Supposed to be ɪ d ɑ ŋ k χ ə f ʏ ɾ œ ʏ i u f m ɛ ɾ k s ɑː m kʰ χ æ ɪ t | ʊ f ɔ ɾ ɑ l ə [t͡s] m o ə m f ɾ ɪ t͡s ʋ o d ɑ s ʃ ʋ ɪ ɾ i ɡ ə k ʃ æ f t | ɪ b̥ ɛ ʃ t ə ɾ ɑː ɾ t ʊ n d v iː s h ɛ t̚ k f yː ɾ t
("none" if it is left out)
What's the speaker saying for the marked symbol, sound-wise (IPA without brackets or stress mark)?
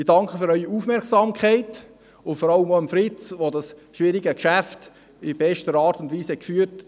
none